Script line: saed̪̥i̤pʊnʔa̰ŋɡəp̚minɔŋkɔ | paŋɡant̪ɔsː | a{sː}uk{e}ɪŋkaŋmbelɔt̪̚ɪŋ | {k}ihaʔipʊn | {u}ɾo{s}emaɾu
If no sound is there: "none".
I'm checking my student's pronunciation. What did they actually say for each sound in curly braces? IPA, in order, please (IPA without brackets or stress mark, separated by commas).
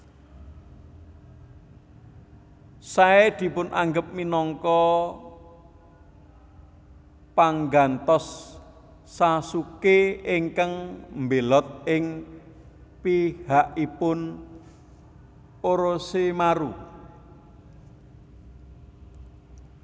s, e, p, o, s